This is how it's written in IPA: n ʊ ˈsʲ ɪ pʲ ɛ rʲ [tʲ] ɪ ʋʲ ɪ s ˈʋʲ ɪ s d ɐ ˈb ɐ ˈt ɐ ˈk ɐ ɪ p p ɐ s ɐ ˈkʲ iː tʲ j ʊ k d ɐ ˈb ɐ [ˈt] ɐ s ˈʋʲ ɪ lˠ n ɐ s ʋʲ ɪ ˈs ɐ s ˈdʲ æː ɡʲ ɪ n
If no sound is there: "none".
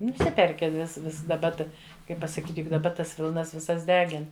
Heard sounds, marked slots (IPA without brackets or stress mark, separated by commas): kʲ, t